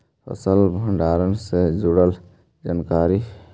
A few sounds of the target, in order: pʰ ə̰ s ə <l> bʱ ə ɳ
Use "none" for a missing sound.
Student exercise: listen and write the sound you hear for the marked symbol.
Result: l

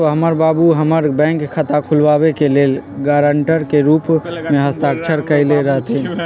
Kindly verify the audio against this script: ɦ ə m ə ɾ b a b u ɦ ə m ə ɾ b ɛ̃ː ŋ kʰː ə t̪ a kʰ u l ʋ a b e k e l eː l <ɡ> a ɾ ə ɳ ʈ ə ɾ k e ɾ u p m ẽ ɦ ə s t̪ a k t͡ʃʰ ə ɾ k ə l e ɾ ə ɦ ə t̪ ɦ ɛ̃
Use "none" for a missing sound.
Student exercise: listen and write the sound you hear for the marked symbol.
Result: ɡ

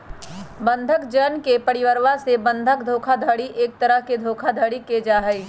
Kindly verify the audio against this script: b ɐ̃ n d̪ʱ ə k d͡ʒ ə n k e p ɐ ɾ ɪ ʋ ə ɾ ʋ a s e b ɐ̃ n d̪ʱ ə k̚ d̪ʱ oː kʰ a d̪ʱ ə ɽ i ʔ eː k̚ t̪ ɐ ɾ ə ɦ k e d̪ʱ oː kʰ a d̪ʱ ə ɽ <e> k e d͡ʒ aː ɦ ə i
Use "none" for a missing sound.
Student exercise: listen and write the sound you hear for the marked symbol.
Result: i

